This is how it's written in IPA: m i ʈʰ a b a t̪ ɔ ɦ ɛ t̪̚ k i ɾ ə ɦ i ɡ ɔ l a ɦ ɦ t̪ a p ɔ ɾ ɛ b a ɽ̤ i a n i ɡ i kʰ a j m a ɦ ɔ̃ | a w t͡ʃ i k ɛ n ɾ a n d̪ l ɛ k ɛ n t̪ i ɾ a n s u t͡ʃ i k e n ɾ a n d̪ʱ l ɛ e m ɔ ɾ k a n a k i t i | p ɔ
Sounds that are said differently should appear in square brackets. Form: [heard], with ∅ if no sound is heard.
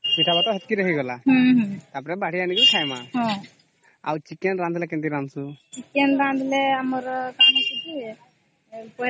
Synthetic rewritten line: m i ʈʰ a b a t̪ ɔ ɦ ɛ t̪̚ k i ɾ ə ɦ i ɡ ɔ l a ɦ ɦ t̪ a p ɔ ɾ ɛ b a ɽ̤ i a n i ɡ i kʰ a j m a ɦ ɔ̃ | a w t͡ʃ i k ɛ n ɾ a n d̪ l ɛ k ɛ n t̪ i ɾ a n s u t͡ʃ i k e n ɾ a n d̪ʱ l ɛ [a] m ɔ ɾ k a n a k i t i | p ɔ

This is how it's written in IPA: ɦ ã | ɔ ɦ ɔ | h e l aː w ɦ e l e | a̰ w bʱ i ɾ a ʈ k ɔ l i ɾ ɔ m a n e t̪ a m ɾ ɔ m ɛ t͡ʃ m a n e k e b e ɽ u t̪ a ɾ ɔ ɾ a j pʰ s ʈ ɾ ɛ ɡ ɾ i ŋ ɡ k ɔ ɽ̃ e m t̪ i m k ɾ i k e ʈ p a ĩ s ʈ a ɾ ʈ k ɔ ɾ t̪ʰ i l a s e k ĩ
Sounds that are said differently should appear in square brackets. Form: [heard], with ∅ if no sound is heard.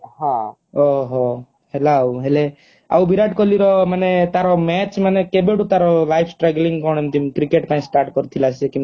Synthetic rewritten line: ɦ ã | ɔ ɦ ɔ | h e l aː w ɦ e l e | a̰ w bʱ i ɾ a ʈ k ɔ l i ɾ ɔ m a n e t̪ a [∅] ɾ ɔ m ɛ t͡ʃ m a n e k e b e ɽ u t̪ a ɾ ɔ [l] a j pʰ s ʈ ɾ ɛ ɡ [l] i ŋ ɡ k ɔ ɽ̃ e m t̪ i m k ɾ i k e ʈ p a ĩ s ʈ a ɾ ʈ k ɔ ɾ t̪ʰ i l a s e k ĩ

